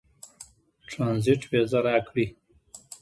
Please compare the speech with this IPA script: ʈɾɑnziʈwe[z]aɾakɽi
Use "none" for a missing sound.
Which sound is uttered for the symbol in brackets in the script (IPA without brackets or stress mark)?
z